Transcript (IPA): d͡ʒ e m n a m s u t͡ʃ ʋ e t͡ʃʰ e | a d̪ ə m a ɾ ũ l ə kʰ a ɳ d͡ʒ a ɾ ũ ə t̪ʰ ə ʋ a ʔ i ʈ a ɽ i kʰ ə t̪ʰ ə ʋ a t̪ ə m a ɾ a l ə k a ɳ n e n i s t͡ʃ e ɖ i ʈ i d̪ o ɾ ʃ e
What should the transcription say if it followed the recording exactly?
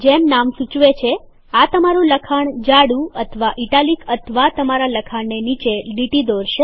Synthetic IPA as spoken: d͡ʒ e m n a m s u t͡ʃ ʋ e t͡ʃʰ e | a t̪ ə m a ɾ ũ l ə kʰ a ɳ d͡ʒ a ɽ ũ ə t̪ʰ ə ʋ a ʔ i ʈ a l i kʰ ə t̪ʰ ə ʋ a t̪ ə m a ɾ a l ə kʰ a ɳ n e n i t͡ʃ e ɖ i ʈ i d̪ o ɾ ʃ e